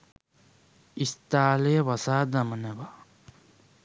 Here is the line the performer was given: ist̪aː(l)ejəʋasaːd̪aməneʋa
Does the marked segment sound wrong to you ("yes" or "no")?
no